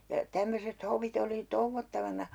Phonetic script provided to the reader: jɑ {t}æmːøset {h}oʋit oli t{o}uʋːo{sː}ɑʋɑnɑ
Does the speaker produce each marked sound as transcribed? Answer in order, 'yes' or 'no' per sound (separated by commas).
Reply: yes, yes, yes, no